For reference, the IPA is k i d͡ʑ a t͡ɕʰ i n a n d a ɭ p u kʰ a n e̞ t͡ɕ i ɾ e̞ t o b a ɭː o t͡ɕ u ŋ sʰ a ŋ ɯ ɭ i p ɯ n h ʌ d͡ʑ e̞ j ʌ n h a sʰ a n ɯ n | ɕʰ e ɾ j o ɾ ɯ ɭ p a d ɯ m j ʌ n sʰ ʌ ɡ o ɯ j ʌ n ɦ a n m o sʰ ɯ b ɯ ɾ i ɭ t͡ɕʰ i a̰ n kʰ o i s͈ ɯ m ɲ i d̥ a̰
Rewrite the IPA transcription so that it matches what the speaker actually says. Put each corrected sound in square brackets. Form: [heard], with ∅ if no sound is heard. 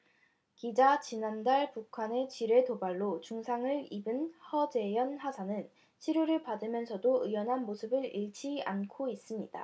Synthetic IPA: k i d͡ʑ a [t͡ɕ] i n a n d a ɭ p u kʰ a n e̞ t͡ɕ i ɾ e̞ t o b a ɭː o t͡ɕ u ŋ sʰ a ŋ ɯ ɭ i [b] ɯ n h ʌ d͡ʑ e̞ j ʌ n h a sʰ a n ɯ n | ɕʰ [i] ɾ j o ɾ ɯ ɭ p a d ɯ m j ʌ n sʰ ʌ [d] o ɯ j ʌ n ɦ a n m o sʰ ɯ b ɯ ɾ i ɭ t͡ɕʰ i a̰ n kʰ o i s͈ ɯ m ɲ i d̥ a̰